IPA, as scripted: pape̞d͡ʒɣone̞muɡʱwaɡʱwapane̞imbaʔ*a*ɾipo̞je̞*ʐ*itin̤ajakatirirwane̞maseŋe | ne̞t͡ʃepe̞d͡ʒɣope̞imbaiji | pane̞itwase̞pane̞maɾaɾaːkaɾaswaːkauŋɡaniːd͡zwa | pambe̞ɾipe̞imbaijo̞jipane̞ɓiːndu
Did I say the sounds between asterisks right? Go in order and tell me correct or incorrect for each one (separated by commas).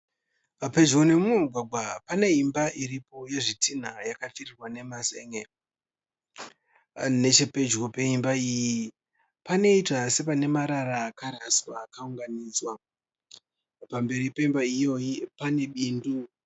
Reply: incorrect, correct